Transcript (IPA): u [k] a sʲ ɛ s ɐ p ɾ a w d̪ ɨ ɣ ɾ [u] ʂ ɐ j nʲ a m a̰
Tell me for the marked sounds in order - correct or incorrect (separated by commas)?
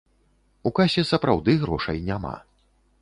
correct, incorrect